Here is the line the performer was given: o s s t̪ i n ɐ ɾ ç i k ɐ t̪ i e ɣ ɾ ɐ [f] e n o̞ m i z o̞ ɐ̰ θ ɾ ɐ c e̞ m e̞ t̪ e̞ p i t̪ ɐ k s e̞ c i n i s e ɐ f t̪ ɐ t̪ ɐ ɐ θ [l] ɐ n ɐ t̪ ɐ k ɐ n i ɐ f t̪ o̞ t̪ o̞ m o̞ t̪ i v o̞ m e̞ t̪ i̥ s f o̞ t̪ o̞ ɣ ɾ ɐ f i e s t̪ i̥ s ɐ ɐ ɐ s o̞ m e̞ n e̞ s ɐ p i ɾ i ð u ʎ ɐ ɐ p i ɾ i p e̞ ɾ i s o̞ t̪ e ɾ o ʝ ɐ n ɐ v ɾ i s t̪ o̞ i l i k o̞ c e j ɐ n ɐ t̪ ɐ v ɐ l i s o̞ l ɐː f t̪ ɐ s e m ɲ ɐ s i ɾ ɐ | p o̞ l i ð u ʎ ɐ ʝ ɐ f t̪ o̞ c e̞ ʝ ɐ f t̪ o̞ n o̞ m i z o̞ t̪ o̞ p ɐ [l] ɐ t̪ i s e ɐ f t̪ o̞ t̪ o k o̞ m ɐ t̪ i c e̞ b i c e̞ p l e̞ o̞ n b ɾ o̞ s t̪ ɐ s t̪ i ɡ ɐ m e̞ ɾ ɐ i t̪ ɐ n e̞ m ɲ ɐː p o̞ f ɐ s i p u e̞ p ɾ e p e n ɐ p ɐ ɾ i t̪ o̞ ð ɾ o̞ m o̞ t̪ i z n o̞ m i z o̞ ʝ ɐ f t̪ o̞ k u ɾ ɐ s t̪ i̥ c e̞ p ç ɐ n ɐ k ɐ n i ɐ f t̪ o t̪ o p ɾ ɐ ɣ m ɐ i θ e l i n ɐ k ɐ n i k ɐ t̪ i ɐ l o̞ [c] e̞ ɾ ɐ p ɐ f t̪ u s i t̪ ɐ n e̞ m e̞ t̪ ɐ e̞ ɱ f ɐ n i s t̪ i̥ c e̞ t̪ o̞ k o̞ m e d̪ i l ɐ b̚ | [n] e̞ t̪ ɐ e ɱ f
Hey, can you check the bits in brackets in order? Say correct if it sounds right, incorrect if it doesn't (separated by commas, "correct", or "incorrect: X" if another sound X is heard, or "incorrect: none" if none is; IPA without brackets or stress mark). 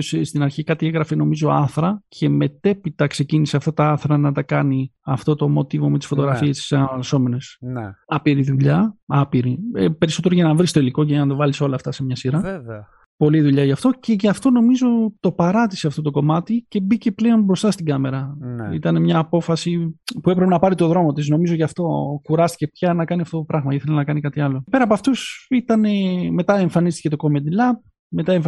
correct, incorrect: ɾ, incorrect: ɾ, incorrect: p, incorrect: m